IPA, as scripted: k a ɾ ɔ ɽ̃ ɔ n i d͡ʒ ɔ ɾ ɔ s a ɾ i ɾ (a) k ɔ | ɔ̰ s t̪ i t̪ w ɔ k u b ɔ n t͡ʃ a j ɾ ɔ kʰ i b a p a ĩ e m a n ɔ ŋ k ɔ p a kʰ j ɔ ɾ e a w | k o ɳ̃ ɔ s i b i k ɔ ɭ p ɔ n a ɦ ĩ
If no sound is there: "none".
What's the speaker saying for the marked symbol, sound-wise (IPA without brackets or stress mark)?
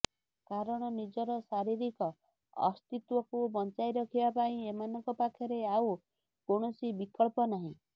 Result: i